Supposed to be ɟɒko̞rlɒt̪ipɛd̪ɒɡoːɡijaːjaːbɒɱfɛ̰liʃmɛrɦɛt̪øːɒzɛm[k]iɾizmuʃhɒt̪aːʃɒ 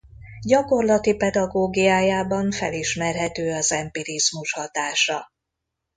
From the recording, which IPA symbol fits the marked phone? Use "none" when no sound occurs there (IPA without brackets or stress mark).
p